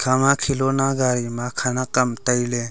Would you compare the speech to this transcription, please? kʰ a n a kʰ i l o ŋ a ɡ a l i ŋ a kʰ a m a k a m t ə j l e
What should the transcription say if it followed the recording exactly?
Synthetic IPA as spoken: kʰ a m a kʰ i l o n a ɡ a ɾ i m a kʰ a n a k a m t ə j l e